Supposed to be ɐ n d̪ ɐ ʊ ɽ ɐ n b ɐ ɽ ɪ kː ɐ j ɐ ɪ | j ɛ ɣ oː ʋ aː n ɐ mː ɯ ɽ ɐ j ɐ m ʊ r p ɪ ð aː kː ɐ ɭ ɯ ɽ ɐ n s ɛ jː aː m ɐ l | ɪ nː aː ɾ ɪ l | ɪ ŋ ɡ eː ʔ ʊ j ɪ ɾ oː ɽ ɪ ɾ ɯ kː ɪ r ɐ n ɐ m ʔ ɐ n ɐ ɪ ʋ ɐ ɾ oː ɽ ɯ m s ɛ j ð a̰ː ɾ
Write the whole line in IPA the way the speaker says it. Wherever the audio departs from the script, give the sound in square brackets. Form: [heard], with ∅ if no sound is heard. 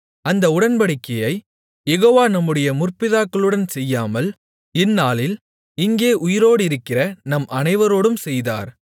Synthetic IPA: ɐ n d̪ ɐ ʊ ɽ ɐ n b ɐ ɽ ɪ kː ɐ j ɐ ɪ | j ɛ ɣ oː ʋ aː n ɐ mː ɯ ɽ ɐ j ɐ m ʊ r p ɪ ð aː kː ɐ ɭ ɯ ɽ ɐ n s ɛ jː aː m ɐ l | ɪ nː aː [l] ɪ l | ɪ ŋ ɡ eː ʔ ʊ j ɪ ɾ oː ɽ ɪ ɾ ɯ kː ɪ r ɐ n ɐ m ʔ ɐ n ɐ ɪ ʋ ɐ ɾ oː ɽ ɯ m s ɛ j ð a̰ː ɾ